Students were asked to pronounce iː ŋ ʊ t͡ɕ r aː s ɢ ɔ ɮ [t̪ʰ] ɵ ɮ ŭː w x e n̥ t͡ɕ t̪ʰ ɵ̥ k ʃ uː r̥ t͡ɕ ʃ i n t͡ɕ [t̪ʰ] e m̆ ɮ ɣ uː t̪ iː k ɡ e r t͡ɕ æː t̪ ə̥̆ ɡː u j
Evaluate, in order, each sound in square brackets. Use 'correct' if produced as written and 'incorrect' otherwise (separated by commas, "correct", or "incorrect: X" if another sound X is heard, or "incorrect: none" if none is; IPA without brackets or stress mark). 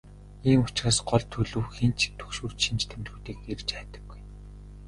correct, correct